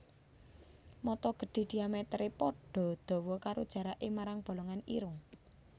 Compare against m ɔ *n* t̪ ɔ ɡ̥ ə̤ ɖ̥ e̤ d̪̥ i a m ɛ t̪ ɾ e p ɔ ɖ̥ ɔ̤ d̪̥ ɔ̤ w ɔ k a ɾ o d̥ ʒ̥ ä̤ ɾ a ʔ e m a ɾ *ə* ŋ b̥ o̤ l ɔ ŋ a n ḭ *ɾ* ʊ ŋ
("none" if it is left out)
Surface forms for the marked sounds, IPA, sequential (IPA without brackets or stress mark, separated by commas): none, a, ɾ